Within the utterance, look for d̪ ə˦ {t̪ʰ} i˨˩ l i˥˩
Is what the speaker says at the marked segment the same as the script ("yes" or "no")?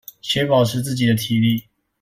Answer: yes